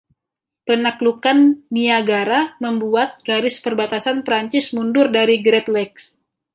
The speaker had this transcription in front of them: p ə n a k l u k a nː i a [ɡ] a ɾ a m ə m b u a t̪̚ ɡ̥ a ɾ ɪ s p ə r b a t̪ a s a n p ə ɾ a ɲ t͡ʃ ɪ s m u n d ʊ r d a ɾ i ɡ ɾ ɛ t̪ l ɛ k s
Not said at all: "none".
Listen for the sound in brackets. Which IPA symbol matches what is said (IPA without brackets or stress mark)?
ɡ